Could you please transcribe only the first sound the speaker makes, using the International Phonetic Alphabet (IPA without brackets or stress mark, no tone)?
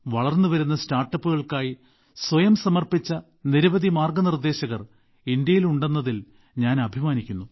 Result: ʋ